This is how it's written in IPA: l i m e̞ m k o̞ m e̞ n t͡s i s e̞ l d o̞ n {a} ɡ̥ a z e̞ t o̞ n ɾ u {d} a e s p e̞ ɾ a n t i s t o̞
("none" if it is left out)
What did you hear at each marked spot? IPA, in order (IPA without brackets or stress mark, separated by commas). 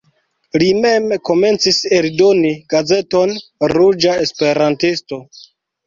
i, d͡ʒ